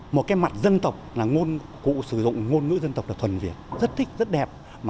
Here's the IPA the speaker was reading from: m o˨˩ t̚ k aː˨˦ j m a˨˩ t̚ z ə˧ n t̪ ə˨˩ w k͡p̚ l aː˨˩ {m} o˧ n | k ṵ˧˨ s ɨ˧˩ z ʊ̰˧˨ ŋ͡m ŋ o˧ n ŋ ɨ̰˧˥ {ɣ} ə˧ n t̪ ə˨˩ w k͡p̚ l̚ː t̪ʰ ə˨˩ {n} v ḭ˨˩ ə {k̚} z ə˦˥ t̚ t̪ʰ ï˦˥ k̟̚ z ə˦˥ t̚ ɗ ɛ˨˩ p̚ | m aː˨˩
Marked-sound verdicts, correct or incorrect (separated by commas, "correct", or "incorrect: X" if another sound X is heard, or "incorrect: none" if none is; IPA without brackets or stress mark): incorrect: ŋ, incorrect: z, correct, incorrect: t̚